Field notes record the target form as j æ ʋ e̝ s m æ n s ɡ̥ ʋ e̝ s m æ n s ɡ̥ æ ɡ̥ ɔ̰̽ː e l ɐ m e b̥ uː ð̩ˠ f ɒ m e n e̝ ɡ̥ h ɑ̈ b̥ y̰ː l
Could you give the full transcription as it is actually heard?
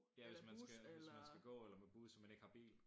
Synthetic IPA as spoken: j æ ʋ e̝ s m æ n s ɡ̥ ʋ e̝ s m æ n s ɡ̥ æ ɡ̥ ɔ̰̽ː e l ɐ m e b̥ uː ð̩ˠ s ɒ m æ n e̝ ɡ̥ h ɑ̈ b̥ ḭː l